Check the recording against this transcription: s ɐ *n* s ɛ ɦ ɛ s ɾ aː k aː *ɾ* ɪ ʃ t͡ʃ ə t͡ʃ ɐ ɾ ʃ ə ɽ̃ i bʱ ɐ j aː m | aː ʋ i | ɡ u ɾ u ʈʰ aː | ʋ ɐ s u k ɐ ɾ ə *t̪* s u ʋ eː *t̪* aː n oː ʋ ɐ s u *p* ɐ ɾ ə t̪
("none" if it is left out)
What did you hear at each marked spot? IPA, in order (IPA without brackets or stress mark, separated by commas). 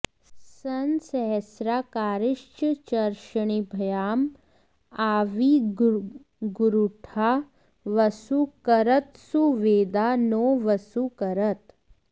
n, ɾ, t̪, d̪, k